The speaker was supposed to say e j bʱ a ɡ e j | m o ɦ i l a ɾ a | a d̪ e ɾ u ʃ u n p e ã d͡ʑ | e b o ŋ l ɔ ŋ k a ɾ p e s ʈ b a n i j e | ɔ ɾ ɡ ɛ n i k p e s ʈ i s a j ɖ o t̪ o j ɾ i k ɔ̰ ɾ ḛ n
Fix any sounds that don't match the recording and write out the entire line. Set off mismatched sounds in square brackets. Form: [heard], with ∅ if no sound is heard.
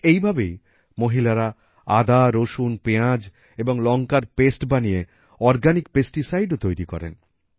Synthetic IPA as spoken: e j bʱ a [b] e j | m o ɦ i l a ɾ a | a d̪ [a] ɾ [o] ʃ u n p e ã d͡ʑ | e b o ŋ l ɔ ŋ k a ɾ p e s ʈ b a n i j e | ɔ ɾ ɡ [a] n i k p e s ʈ i s a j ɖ o t̪ o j ɾ i k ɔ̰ ɾ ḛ n